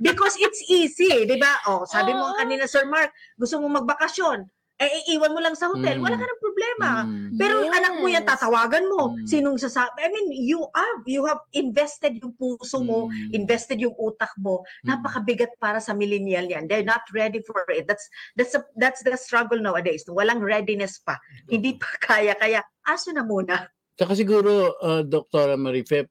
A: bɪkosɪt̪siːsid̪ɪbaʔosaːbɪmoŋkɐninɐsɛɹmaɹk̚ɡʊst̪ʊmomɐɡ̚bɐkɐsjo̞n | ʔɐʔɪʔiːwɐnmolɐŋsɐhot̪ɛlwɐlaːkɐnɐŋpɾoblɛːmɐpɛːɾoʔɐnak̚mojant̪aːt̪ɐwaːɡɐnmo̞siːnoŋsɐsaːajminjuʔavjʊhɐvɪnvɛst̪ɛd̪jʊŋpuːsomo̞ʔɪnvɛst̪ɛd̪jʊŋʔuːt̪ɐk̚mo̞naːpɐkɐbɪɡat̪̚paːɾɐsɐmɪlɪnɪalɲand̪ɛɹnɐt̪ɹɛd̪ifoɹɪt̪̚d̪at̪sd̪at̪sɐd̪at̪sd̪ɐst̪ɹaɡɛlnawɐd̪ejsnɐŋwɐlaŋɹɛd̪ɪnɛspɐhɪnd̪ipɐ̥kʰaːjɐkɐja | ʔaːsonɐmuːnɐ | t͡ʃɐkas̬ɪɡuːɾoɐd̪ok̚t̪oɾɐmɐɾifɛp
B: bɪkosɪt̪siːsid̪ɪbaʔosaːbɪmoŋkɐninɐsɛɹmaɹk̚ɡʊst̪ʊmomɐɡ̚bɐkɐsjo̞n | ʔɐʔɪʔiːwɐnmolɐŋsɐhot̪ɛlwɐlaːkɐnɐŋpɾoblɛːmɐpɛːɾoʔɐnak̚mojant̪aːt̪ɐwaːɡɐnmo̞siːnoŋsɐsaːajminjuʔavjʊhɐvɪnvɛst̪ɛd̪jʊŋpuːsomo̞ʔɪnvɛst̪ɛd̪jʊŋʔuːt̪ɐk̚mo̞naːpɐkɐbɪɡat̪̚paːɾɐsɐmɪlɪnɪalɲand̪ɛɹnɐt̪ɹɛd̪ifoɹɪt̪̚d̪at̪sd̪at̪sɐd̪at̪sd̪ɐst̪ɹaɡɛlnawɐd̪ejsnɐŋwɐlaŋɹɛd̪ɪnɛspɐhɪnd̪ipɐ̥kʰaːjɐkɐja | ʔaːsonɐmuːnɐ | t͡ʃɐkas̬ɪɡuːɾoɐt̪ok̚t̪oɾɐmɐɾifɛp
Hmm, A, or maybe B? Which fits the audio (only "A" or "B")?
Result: A